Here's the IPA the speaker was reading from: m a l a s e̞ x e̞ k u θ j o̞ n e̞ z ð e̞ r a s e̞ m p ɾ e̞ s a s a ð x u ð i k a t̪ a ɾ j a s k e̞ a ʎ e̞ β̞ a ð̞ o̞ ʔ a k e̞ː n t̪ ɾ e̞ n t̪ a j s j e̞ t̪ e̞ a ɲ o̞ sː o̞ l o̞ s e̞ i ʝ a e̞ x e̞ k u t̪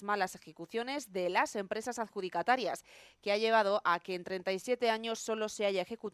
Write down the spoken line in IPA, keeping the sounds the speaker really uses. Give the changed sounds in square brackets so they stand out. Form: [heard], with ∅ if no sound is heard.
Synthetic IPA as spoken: m a l a s e̞ x e̞ k u θ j o̞ n e̞ z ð e̞ [l] a s e̞ m p ɾ e̞ s a s a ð x u ð i k a t̪ a ɾ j a s k e̞ a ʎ e̞ β̞ a ð̞ o̞ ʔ a k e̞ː n t̪ ɾ e̞ n t̪ a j s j e̞ t̪ e̞ a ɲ o̞ sː o̞ l o̞ s e̞ [a] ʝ a e̞ x e̞ k u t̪